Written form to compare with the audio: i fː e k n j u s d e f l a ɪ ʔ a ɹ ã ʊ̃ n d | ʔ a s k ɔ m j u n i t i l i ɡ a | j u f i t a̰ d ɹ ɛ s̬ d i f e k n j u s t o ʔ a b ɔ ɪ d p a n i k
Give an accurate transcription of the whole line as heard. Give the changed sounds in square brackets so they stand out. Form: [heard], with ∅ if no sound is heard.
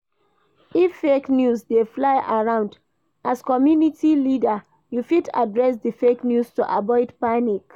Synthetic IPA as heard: i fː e k n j u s d e f l a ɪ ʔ a ɹ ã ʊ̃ n d | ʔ a s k ɔ m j u n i t i l i [d] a | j u f i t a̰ d ɹ ɛ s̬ d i f e k n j u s t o ʔ a b ɔ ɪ d p a n i k